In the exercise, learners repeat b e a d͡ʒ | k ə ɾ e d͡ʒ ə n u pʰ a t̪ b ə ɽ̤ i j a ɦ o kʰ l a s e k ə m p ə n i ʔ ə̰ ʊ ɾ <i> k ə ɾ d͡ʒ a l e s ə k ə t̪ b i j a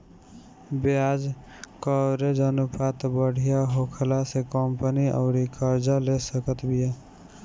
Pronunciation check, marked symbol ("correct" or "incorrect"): correct